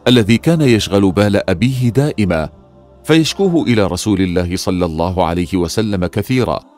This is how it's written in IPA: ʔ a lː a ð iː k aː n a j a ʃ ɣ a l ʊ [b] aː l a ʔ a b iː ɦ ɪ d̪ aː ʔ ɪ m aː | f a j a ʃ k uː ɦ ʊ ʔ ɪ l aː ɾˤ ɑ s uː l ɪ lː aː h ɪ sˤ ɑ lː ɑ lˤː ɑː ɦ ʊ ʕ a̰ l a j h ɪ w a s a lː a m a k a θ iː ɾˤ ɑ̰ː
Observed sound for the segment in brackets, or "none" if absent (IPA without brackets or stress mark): b